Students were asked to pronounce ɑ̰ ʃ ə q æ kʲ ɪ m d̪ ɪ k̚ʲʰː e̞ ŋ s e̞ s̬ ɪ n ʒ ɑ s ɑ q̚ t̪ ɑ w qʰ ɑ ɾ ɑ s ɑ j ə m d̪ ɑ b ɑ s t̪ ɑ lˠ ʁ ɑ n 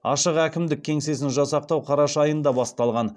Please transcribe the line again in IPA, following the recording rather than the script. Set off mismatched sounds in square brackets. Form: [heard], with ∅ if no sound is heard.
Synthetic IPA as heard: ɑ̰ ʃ ə q æ kʲ ɪ m d̪ ɪ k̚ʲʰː e̞ ŋ s e̞ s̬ ɪ n ʒ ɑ s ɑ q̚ t̪ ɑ w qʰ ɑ ɾ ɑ [ʃ] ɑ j ə [n] d̪ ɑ b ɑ s t̪ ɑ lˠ ʁ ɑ n